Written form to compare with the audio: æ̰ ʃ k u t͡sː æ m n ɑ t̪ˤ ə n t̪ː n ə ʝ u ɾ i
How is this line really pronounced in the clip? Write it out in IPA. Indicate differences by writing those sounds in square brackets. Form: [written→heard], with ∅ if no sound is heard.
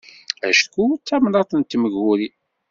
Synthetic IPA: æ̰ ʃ k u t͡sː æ m n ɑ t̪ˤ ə n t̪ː [n→m] ə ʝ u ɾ i